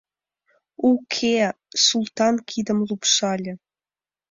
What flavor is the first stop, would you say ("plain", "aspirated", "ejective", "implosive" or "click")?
aspirated